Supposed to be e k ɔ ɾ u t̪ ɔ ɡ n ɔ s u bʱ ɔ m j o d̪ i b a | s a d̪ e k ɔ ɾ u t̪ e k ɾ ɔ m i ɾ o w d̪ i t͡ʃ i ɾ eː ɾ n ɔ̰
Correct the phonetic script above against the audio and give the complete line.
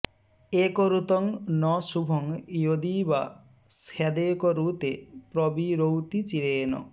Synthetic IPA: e k ɔ ɾ u t̪ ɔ ŋ n ɔ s u bʱ ɔ ŋ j o d̪ i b a | s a d̪ e k ɔ ɾ u t̪ e p ɾ ɔ b i ɾ o w t̪ i t͡ʃ i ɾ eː n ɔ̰

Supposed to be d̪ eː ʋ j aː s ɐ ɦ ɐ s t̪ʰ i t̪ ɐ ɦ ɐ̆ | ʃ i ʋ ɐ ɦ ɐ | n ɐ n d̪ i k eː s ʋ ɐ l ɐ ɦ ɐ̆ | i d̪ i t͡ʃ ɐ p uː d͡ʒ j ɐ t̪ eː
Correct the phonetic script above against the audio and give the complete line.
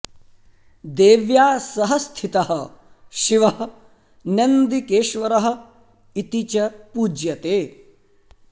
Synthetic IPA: d̪ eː ʋ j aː s ɐ ɦ ɐ s t̪ʰ i t̪ ɐ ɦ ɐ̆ | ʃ i ʋ ɐ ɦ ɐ | n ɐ n d̪ i k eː ʃ ʋ ɐ ɾ ɐ ɦ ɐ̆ | i t̪ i t͡ʃ ɐ p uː d͡ʒ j ɐ t̪ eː

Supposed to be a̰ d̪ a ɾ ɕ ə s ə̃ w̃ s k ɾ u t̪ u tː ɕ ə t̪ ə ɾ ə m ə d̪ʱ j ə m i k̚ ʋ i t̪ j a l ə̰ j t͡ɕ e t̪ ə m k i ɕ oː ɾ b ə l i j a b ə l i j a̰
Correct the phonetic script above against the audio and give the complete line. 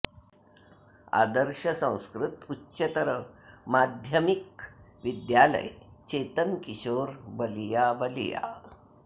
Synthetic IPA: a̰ d̪ ə ɾ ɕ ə s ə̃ w̃ s k ɾ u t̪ u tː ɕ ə t̪ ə ɾ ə m a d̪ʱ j ə m i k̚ ʋ i d̪ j a l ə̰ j t͡ɕ e t̪ ə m k i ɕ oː ɾ b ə l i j a b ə l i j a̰

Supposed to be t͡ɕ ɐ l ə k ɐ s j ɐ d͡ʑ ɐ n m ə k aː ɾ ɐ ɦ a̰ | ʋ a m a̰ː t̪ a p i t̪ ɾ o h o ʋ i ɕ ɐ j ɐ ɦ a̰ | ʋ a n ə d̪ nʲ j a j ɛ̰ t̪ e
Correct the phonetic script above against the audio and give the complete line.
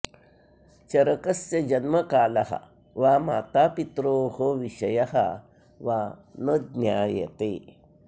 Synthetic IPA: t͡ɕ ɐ ɾ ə k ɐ s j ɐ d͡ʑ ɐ n m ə k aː l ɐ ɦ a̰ | ʋ a m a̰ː t̪ a p i t̪ ɾ o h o ʋ i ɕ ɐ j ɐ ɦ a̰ | ʋ a n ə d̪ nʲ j a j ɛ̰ t̪ e

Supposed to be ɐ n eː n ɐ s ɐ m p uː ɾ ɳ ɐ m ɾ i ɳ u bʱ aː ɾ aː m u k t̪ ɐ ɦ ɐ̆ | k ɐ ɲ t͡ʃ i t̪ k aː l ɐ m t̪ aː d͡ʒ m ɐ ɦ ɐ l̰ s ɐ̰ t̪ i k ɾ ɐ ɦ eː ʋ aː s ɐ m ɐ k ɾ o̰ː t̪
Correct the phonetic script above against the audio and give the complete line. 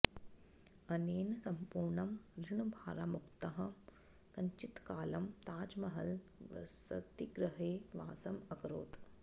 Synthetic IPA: ɐ n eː n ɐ s ɐ m p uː ɾ ɳ ɐ m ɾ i ɳ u bʱ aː ɾ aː m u k t̪ ɐ ɦ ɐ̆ | k ɐ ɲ t͡ʃ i t̪ k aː l ɐ m t̪ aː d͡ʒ m ɐ ɦ ɐ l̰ s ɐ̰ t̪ i ɡ ɾ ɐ ɦ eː ʋ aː s ɐ m ɐ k ɾ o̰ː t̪

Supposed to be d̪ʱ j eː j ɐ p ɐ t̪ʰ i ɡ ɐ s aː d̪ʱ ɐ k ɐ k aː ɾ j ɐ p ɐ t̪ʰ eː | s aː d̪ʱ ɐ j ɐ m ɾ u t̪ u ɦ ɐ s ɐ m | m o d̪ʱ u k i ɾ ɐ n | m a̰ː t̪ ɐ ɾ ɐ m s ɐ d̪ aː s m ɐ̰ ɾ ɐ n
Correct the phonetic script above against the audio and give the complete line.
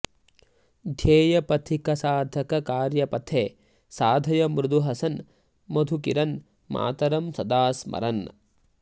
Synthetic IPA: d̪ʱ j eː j ɐ p ɐ t̪ʰ i k ɐ s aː d̪ʱ ɐ k ɐ k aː ɾ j ɐ p ɐ t̪ʰ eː | s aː d̪ʱ ɐ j ɐ m ɾ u d̪ u ɦ ɐ s ɐ n | m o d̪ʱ u k i ɾ ɐ n | m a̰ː t̪ ɐ ɾ ɐ m s ɐ d̪ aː s m ɐ̰ ɾ ɐ n

